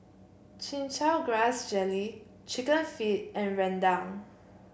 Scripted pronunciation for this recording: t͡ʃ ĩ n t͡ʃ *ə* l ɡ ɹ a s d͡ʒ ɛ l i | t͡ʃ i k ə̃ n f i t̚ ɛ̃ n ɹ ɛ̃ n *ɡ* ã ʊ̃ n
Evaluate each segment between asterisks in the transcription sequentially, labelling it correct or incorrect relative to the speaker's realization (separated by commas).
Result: incorrect, incorrect